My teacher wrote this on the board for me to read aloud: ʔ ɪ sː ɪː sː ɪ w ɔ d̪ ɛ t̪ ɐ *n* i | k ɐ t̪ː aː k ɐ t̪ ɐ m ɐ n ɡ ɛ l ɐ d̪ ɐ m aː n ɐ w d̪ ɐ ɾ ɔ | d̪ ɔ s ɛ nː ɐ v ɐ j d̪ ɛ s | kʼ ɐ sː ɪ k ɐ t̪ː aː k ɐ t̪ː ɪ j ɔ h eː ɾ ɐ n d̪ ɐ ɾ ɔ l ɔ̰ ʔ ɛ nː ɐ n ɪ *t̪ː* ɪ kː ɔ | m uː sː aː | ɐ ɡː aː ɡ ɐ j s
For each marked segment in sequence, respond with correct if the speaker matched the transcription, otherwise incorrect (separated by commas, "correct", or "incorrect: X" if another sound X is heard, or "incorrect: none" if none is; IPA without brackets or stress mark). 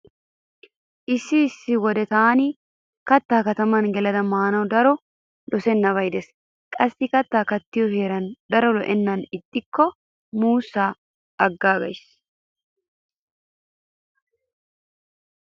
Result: correct, incorrect: t̪ʼː